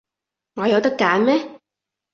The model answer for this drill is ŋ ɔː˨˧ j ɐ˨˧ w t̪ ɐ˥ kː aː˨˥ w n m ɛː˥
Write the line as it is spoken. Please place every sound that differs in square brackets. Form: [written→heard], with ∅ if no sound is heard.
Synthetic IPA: ŋ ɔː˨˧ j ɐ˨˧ w t̪ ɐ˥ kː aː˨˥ [w→∅] n m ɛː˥

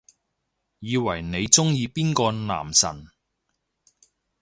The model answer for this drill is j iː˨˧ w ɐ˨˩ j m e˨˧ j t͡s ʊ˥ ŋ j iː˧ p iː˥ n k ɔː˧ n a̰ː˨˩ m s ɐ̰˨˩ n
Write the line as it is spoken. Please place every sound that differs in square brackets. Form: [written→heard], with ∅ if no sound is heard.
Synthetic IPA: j iː˨˧ w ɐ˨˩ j [m→n] e˨˧ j t͡s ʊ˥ ŋ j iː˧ p iː˥ n k ɔː˧ n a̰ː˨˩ m s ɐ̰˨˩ n

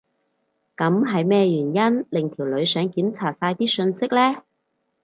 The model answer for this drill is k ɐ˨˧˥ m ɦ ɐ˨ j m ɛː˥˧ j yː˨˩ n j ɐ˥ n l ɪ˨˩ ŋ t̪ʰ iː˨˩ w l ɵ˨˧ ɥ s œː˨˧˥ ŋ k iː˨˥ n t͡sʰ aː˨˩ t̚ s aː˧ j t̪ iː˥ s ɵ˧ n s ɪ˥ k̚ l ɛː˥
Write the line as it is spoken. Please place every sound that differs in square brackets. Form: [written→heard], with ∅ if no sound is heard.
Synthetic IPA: k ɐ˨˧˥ m ɦ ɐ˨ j m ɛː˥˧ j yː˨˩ n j ɐ˥ n l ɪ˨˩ ŋ t̪ʰ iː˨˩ w l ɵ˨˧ ɥ s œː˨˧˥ ŋ k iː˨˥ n t͡sʰ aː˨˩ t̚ s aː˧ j t̪ iː˥ s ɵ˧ n s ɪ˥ k̚ l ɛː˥

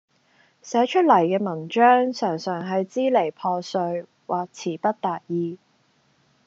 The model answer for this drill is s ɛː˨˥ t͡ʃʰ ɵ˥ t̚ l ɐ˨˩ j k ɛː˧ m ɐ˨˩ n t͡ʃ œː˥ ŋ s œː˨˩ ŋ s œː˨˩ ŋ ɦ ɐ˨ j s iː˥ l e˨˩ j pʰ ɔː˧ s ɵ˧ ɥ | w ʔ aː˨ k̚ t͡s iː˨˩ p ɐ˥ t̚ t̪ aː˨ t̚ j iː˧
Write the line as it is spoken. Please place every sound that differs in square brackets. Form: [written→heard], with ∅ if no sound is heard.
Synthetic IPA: s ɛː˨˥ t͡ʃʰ ɵ˥ t̚ l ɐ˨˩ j k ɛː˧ m ɐ˨˩ n t͡ʃ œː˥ ŋ s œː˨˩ ŋ s œː˨˩ ŋ ɦ ɐ˨ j [s→t͡s] iː˥ l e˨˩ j pʰ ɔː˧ s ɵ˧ ɥ | w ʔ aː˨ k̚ [t͡s→t͡sʰ] iː˨˩ p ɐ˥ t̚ t̪ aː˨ t̚ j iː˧

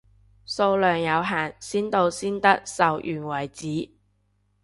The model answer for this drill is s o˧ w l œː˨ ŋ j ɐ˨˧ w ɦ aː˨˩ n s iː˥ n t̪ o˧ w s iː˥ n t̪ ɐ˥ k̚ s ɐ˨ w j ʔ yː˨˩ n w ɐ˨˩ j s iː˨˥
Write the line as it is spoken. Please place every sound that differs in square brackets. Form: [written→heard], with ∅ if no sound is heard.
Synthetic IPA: s o˧ w l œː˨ ŋ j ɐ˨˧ w ɦ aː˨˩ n s iː˥ n t̪ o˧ w s iː˥ n t̪ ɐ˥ k̚ s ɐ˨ w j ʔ yː˨˩ n w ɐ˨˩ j [s→t͡s] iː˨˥

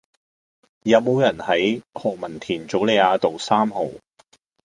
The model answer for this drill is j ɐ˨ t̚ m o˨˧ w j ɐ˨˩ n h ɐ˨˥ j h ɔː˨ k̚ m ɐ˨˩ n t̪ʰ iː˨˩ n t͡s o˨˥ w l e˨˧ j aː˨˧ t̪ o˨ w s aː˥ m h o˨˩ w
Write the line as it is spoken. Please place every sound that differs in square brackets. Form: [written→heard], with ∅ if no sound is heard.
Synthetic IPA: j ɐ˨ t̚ m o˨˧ w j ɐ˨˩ n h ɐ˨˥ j h ɔː˨ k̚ m ɐ˨˩ n t̪ʰ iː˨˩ n t͡s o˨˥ w l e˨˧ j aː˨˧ t̪ o˨ w s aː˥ m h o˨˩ w

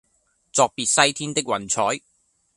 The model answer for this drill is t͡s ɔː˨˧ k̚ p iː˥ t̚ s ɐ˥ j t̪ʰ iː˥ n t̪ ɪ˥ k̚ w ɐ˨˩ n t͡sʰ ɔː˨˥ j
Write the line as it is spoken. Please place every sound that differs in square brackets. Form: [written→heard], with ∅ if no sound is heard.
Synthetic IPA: t͡s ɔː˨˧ k̚ p [iː˥→iː˨] t̚ s ɐ˥ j t̪ʰ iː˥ n t̪ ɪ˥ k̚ w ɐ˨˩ n t͡sʰ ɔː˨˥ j

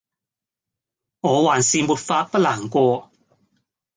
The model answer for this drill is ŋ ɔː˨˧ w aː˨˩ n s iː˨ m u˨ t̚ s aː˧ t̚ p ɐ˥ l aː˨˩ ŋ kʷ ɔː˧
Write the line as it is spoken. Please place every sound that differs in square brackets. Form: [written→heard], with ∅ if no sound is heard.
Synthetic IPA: ŋ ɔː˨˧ w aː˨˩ n s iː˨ m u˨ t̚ [s→f] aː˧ t̚ p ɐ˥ l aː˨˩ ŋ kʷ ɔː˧

